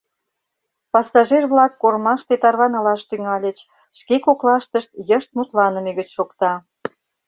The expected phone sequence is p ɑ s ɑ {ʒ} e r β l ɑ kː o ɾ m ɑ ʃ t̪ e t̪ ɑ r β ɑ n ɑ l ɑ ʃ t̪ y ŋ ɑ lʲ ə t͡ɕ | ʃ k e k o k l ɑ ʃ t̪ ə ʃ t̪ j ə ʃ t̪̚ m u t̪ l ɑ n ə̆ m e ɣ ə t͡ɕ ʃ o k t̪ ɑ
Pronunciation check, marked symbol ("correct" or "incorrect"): correct